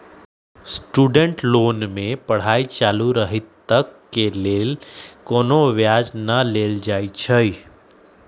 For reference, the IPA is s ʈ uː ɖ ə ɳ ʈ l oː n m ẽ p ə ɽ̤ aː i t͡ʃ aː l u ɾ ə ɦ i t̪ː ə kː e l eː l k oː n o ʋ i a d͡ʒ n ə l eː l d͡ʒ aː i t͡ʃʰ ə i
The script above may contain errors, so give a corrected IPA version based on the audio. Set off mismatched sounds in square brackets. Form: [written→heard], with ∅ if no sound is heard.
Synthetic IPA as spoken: s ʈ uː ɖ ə ɳ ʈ l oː n m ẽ p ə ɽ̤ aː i t͡ʃ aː l u ɾ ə ɦ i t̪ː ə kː e l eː l k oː n o ʋ [i→j] a d͡ʒ n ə l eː l d͡ʒ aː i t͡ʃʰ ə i

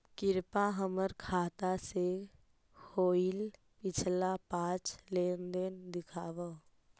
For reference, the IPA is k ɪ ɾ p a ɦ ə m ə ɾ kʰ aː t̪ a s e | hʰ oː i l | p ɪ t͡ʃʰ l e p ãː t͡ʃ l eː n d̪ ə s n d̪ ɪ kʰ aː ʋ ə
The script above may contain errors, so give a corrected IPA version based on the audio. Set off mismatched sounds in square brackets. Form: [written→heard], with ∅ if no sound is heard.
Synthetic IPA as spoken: k ɪ ɾ p a ɦ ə m ə ɾ kʰ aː t̪ a s e | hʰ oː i l | p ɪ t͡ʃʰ l [e→a] p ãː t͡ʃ l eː n d̪ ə [s→∅] n d̪ ɪ kʰ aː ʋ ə

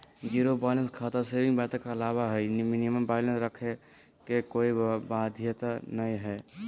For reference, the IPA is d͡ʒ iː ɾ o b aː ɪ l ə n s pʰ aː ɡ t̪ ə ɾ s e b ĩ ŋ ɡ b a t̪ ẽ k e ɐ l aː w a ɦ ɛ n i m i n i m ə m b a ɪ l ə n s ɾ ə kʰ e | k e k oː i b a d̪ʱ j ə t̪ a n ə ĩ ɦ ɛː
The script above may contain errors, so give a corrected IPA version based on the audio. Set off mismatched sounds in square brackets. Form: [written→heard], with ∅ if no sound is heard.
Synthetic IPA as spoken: d͡ʒ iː ɾ o b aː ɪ l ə n s [pʰ→kʰ] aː [ɡ→∅] t̪ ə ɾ s e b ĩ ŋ ɡ b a t̪ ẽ k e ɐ l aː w a ɦ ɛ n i m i n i m ə m b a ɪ l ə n s ɾ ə kʰ e | k e k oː i b a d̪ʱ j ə t̪ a n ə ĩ ɦ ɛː

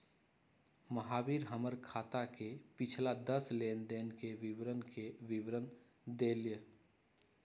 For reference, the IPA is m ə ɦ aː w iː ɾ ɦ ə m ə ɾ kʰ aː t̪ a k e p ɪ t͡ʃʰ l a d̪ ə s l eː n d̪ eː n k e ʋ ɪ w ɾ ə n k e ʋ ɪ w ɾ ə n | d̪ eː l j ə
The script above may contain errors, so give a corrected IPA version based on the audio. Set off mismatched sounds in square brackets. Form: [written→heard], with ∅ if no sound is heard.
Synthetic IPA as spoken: m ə ɦ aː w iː ɾ ɦ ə m ə ɾ kʰ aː t̪ a k e p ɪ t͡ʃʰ l a d̪ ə s l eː n d̪ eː n k e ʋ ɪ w ɾ ə n k e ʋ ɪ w ɾ ə n | d̪ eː l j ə

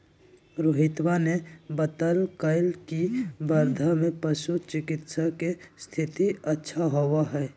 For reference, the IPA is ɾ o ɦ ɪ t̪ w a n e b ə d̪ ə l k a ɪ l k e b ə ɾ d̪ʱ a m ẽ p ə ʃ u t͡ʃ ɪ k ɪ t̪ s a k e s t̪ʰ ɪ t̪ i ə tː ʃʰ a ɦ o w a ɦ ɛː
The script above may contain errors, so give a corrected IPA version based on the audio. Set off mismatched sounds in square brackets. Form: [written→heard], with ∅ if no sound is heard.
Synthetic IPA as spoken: ɾ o ɦ ɪ t̪ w a n e b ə [d̪→t̪] ə l k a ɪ l k [e→i] b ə ɾ d̪ʱ a m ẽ p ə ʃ u t͡ʃ ɪ k ɪ t̪ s a k e s t̪ʰ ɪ t̪ i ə tː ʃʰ a ɦ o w a ɦ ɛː

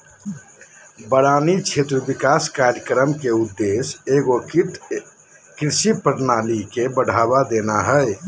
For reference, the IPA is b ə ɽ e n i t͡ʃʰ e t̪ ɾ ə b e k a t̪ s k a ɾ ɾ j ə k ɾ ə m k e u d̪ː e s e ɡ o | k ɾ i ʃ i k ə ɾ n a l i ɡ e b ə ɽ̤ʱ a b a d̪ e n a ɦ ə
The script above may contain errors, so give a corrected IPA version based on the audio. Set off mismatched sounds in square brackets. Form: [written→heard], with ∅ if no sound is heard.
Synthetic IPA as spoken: b ə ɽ [e→a] n i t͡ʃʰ e t̪ ɾ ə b [e→i] k a [t̪→∅] s k a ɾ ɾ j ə k ɾ ə m k e u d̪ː e s e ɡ o | k ɾ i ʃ i [k→p] ə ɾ n a l i [ɡ→k] e b ə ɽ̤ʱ a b a d̪ e n a ɦ ə

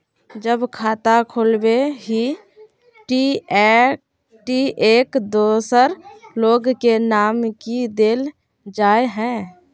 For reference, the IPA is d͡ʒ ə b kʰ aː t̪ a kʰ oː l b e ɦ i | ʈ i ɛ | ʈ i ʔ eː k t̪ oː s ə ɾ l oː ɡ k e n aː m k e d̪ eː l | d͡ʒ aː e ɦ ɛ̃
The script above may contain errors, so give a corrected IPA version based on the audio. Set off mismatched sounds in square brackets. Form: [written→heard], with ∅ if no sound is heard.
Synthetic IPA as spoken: d͡ʒ ə b kʰ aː t̪ a kʰ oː l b e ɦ i | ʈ i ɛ | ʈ i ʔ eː k [t̪→d̪] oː s ə ɾ l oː ɡ k e n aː m k [e→i] d̪ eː l | d͡ʒ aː e ɦ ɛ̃

